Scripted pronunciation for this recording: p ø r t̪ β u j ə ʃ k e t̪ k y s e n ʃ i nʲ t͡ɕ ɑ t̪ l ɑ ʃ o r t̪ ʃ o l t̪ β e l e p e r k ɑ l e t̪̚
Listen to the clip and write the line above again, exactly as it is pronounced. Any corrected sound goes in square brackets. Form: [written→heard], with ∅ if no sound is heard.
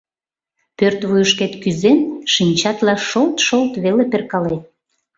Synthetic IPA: p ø r t̪ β u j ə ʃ k e t̪ k y [s→z] e n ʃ i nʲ t͡ɕ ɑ t̪ l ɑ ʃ o [r→l] t̪ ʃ o l t̪ β e l e p e r k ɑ l e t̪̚